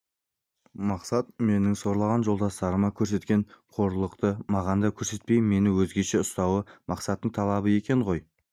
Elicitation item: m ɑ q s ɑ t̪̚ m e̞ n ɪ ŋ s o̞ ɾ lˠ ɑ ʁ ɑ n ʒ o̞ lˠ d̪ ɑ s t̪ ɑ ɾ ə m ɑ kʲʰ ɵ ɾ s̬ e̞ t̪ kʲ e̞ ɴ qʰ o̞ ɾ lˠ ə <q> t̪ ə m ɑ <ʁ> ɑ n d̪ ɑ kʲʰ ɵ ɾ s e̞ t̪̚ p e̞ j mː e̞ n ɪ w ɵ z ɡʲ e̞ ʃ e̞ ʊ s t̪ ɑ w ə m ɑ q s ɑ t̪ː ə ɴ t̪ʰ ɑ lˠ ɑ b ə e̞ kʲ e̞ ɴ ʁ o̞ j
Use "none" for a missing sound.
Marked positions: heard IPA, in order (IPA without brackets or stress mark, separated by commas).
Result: q, ʁ